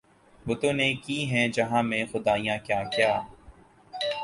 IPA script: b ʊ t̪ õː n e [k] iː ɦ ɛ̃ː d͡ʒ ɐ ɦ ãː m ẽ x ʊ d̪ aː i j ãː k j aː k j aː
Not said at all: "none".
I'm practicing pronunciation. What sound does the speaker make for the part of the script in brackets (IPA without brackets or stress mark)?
k